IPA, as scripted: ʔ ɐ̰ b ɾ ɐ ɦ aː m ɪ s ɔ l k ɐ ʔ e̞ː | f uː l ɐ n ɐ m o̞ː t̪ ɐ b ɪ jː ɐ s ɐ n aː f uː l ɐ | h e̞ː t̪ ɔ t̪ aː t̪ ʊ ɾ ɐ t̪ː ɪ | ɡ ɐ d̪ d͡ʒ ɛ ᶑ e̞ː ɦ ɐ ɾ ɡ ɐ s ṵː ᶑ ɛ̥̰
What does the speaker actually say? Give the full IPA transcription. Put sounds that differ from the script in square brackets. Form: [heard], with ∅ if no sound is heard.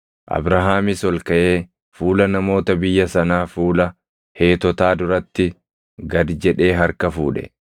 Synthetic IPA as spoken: ʔ ɐ̰ b ɾ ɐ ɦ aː m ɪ s ɔ l k ɐ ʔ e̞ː | f uː l ɐ n ɐ m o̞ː t̪ ɐ b ɪ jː ɐ s ɐ n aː f uː l ɐ | h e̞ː t̪ ɔ t̪ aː [d̪] ʊ ɾ ɐ t̪ː ɪ | ɡ ɐ d̪ d͡ʒ ɛ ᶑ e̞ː ɦ ɐ ɾ [k] ɐ [f] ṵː ᶑ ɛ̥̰